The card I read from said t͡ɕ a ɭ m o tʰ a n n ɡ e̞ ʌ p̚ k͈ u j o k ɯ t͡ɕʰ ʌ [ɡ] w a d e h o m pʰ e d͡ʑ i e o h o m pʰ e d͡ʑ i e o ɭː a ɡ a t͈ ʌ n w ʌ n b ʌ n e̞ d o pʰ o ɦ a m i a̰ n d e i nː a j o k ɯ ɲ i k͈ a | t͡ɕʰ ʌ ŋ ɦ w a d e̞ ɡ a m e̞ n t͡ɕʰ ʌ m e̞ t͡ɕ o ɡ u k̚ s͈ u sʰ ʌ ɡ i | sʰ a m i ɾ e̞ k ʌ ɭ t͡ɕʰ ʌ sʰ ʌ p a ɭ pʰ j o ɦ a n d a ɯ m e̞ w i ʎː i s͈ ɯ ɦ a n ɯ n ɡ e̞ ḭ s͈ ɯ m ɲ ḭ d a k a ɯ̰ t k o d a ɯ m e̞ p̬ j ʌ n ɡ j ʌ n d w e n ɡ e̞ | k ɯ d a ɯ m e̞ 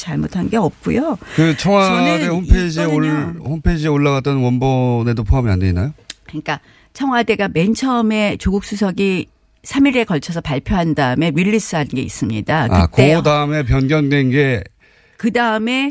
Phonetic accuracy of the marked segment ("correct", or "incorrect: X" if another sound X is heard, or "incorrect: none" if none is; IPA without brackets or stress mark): incorrect: ŋ